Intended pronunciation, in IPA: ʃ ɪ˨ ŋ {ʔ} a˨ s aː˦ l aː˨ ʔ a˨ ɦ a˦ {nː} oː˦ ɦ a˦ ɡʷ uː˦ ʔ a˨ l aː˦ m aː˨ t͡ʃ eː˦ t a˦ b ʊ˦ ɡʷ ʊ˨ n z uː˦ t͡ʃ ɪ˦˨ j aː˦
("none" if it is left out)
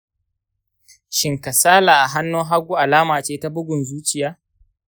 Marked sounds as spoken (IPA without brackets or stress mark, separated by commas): k, nː